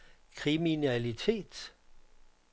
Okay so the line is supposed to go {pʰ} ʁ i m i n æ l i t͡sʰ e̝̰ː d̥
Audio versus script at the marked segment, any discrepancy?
yes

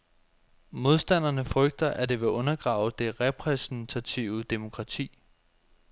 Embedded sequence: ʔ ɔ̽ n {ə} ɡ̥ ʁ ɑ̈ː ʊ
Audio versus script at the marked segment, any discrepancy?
yes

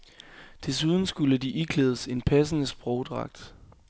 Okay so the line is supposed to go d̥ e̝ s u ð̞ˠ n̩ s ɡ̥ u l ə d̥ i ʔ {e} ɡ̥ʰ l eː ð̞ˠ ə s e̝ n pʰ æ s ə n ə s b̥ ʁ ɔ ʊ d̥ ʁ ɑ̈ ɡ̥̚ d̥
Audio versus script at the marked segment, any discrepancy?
yes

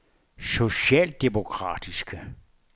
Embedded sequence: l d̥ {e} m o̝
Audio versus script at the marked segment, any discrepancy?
no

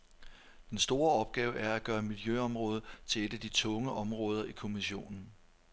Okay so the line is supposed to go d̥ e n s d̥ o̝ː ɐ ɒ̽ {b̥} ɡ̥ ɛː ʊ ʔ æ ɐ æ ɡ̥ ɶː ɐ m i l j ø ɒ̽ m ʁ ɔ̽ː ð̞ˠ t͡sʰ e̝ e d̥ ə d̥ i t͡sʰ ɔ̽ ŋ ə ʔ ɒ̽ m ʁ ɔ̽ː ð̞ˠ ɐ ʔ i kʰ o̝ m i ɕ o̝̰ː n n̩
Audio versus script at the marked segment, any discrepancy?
no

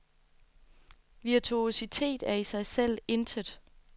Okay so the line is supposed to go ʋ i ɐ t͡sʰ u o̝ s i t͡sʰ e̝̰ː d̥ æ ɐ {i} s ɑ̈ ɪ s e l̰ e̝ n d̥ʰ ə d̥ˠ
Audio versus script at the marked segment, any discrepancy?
no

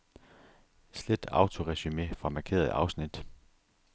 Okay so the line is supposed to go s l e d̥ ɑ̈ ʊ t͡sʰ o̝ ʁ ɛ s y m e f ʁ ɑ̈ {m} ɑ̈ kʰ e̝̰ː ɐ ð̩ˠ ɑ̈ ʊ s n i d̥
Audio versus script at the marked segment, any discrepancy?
no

